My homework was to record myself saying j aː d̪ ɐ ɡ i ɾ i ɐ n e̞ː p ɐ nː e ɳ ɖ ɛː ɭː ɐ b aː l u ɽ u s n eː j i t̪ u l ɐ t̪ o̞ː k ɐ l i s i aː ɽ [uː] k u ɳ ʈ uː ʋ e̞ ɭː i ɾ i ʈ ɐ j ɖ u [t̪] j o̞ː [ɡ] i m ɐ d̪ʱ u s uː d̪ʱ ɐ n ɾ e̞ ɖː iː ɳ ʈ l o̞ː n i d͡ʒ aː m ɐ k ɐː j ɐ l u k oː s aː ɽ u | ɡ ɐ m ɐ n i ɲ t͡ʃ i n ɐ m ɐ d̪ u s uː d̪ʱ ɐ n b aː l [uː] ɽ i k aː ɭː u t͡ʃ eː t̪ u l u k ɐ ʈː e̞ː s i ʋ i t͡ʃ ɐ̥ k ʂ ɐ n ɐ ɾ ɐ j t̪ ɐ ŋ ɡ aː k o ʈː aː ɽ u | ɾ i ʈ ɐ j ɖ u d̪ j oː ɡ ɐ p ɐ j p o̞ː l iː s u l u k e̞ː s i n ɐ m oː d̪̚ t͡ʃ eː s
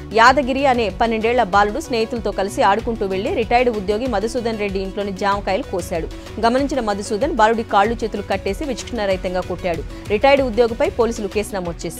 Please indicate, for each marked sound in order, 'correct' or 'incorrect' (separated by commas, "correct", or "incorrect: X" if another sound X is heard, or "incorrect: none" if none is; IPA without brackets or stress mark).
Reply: incorrect: u, incorrect: d̪, correct, incorrect: u